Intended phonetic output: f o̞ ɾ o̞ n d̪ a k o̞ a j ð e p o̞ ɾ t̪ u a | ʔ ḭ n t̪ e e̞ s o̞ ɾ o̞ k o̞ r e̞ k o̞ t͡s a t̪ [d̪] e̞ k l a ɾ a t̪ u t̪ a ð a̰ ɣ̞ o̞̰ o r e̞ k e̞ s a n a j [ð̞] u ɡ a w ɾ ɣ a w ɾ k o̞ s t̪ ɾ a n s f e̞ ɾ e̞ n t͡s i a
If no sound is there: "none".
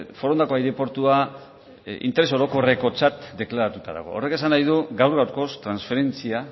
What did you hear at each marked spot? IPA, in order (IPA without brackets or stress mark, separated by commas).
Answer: d̪, ð̞